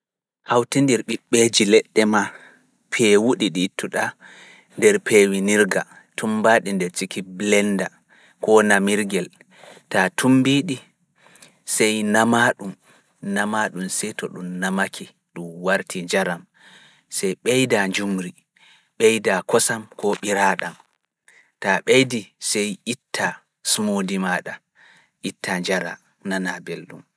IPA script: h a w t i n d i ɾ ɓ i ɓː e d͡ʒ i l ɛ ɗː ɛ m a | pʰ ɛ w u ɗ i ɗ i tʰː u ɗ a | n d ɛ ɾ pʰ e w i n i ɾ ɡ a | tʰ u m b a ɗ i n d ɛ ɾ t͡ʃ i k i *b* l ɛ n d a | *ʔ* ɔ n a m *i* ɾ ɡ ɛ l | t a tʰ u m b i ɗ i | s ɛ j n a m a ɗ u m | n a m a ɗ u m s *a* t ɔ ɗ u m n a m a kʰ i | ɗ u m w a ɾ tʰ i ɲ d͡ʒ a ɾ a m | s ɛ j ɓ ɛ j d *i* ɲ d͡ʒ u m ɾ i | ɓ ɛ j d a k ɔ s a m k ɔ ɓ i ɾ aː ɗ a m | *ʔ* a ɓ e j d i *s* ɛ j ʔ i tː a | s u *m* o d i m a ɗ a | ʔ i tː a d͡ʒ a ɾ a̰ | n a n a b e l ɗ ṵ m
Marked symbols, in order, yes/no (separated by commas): yes, no, yes, no, no, no, yes, yes